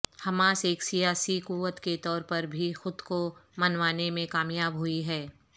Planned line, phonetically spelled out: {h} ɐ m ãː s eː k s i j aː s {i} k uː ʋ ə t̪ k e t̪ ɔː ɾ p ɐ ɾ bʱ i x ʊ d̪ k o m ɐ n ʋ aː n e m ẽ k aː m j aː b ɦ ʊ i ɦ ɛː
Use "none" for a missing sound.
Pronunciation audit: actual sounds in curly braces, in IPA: h, i

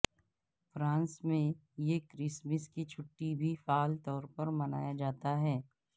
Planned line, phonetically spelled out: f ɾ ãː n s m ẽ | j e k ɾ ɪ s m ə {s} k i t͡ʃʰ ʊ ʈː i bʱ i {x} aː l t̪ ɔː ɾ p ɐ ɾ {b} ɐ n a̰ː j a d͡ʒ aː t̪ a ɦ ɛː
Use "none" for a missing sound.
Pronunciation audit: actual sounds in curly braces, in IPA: s, f, m

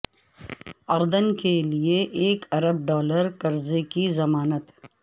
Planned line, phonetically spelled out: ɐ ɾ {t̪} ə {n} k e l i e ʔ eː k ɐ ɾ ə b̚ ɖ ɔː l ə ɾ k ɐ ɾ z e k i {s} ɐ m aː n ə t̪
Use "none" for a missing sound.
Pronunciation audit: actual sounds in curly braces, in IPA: d̪, n, z

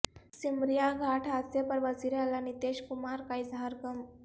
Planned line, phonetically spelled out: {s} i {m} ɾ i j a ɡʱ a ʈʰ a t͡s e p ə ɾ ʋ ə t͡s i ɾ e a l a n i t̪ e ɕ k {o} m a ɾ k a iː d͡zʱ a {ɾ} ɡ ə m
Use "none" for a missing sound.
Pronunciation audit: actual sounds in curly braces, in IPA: s, m, u, ɾ

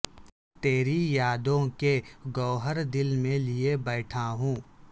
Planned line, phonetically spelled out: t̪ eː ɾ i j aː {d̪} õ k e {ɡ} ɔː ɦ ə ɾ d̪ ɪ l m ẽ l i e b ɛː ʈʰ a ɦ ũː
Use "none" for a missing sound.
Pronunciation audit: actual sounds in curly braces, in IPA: d̪, ɡ

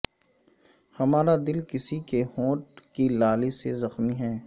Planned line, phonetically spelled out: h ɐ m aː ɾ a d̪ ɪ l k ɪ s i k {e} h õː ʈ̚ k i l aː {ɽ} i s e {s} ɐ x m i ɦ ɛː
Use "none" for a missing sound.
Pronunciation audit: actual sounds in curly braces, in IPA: e, l, z

